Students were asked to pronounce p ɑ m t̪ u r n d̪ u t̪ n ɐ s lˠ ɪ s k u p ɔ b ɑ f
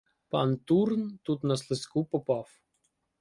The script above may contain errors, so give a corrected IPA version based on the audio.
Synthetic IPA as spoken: p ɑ n t̪ u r n t̪ u t̪ n ɐ s lˠ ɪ s k u p ɔ p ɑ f